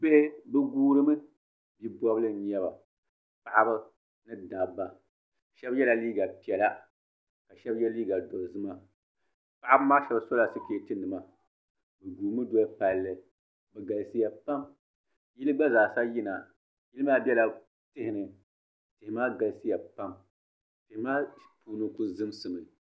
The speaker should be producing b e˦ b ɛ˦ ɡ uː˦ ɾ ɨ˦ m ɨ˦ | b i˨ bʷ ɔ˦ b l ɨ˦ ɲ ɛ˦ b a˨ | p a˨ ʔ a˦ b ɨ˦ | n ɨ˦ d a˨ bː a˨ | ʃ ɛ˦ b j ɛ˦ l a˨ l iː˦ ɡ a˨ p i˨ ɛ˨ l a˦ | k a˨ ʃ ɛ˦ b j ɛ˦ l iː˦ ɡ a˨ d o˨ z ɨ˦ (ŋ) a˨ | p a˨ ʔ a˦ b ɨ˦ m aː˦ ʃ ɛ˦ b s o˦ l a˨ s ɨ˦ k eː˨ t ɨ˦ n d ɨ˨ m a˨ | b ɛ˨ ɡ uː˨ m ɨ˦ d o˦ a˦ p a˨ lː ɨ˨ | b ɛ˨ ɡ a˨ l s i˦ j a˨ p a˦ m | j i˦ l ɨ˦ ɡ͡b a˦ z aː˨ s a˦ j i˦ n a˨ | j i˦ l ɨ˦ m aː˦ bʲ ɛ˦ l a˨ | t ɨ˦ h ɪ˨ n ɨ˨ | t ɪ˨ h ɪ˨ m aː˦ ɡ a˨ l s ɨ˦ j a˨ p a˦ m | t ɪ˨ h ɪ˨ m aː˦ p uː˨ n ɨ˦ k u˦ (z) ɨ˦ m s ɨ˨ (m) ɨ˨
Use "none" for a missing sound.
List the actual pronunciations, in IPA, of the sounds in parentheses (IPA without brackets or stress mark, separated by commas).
m, z, m